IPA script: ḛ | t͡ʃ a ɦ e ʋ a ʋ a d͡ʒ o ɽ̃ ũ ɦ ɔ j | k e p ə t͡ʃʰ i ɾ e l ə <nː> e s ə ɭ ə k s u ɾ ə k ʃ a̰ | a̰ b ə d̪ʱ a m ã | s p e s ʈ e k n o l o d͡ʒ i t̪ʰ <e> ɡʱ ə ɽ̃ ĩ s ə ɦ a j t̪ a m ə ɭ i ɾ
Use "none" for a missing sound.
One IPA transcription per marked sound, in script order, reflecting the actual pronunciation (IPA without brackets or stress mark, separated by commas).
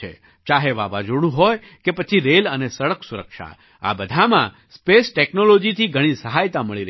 n, i